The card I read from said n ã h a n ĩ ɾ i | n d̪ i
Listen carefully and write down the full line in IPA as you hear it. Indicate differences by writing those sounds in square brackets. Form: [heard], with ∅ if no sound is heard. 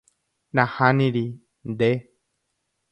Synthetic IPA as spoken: n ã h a n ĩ ɾ i | n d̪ [e]